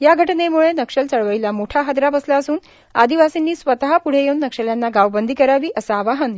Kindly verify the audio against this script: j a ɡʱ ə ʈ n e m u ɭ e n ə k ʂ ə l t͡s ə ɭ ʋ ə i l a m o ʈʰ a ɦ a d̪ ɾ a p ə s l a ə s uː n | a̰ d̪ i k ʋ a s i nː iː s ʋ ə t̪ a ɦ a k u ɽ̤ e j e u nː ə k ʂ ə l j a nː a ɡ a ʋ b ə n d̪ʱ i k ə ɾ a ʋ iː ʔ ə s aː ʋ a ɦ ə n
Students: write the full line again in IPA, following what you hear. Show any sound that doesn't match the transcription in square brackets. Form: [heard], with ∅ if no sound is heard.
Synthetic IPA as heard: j a ɡʱ ə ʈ n e m u ɭ e n ə k ʂ ə l t͡s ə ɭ ʋ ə i l a m o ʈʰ a ɦ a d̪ ɾ a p ə s l a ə s uː n | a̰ d̪ i [∅] ʋ a s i nː iː s ʋ ə t̪ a ɦ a [p] u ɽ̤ e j e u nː ə k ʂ ə l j a nː a ɡ a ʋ b ə n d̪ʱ i k ə ɾ a ʋ iː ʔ ə s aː ʋ a ɦ ə n